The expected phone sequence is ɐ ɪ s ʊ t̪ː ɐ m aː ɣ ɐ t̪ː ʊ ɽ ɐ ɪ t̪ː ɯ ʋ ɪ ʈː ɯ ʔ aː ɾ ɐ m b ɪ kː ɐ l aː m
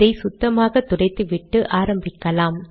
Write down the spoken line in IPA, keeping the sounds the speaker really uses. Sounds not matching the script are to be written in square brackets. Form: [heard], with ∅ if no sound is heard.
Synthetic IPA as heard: ɐ ɪ s ʊ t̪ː ɐ m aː ɣ ɐ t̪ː ʊ ɽ ɐ ɪ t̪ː ɯ ʋ ɪ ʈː ɯ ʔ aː ɾ ɐ m b ɪ kː ɐ l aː m